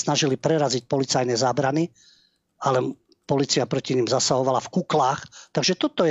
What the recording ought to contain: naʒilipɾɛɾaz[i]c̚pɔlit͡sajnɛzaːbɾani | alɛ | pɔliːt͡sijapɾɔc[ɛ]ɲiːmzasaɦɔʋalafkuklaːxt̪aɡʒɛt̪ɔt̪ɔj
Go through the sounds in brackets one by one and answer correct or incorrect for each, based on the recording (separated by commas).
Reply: correct, incorrect